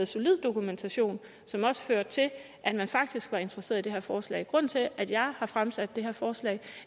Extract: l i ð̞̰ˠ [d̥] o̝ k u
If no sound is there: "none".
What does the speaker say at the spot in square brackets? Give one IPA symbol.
d̥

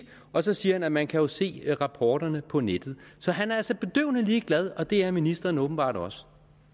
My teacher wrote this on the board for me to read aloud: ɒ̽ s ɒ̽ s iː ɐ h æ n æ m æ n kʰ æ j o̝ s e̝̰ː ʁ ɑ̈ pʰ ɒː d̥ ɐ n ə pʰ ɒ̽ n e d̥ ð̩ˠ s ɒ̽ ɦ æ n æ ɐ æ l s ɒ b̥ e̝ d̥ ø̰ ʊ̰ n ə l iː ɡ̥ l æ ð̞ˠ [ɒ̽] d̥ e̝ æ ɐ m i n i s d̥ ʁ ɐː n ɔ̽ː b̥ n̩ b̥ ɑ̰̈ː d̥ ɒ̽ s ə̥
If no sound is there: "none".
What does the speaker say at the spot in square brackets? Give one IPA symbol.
ɒ̽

